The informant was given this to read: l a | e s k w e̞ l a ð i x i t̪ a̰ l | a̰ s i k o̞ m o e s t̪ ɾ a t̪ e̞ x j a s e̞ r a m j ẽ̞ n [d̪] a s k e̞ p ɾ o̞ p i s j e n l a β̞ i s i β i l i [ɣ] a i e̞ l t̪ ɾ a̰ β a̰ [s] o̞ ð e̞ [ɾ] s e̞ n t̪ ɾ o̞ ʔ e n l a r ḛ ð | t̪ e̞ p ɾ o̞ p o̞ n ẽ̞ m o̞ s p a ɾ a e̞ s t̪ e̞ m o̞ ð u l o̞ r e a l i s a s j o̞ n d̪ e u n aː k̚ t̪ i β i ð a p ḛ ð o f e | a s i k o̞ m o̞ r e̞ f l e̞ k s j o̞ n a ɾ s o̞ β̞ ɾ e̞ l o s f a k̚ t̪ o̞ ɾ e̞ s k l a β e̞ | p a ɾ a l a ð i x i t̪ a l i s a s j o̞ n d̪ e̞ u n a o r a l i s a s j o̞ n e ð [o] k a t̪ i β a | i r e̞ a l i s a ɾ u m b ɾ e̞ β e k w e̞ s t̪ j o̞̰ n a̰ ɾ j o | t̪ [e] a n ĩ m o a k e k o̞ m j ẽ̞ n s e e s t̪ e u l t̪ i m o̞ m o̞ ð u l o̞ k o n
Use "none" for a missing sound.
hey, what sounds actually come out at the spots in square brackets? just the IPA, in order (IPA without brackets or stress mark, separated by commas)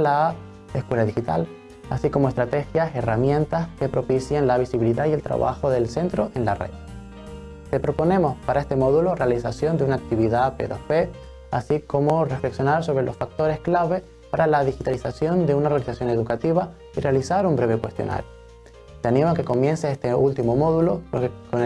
t̪, ð, x, l, u, e